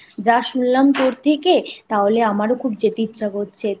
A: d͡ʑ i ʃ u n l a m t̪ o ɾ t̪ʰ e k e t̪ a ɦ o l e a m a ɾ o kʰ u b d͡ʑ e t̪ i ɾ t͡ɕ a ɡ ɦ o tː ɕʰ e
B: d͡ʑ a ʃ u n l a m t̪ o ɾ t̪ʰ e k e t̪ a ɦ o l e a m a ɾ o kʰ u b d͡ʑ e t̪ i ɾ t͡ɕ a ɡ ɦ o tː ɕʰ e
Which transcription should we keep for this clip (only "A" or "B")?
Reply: B